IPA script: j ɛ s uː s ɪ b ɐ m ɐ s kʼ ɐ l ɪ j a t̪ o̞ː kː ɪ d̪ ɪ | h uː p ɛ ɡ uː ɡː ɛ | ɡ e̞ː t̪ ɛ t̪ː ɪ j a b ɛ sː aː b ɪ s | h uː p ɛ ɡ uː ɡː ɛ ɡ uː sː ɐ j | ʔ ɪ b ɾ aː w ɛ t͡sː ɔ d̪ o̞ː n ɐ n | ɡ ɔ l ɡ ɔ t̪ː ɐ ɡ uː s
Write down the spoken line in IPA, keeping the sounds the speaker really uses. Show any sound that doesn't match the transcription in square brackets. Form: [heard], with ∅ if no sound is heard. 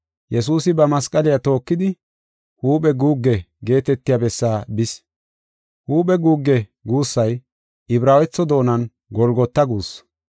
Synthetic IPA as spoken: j ɛ s uː s ɪ b ɐ m ɐ s kʼ ɐ l ɪ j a t̪ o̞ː kː ɪ d̪ ɪ | h uː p ɛ ɡ uː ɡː ɛ | ɡ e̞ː t̪ ɛ t̪ː ɪ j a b ɛ sː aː b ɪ s | h uː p ɛ ɡ uː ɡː ɛ ɡ uː sː ɐ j | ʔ ɪ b ɾ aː w ɛ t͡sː ɔ d̪ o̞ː n ɐ n | ɡ ɔ l ɡ ɔ t̪ː ɐ ɡ uː s